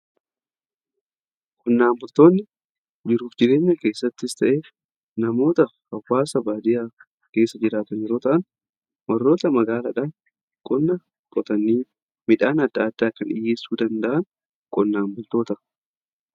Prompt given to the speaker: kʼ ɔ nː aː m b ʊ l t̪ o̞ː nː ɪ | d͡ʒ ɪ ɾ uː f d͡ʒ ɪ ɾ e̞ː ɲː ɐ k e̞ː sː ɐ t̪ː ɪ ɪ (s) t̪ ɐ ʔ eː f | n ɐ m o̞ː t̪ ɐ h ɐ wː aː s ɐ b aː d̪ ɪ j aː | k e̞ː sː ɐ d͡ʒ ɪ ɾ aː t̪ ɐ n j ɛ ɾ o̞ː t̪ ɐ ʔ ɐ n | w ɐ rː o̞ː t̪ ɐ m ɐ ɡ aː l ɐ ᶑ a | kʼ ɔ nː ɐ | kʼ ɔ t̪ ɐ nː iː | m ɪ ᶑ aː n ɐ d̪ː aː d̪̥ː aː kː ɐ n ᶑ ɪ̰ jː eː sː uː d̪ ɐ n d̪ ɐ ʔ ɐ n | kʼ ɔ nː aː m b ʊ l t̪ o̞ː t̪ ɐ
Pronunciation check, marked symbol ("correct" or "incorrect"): correct